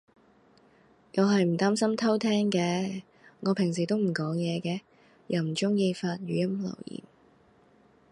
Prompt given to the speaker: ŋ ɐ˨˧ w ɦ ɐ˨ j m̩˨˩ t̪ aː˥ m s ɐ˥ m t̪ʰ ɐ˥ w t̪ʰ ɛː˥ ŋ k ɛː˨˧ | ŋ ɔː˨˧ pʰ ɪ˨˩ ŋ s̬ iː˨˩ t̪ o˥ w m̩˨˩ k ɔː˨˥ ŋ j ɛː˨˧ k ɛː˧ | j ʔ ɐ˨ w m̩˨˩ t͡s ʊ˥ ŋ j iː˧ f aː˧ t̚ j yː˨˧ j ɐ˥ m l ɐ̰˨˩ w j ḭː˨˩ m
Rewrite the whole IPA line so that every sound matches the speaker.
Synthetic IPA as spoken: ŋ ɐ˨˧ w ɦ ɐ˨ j m̩˨˩ t̪ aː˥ m s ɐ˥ m t̪ʰ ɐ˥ w t̪ʰ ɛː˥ ŋ k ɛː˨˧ | ŋ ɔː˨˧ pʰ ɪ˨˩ ŋ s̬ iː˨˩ t̪ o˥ w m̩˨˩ k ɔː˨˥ ŋ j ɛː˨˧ k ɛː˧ | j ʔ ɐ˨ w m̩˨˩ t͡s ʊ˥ ŋ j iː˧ f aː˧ t̚ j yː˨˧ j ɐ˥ m l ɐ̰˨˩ w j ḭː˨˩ m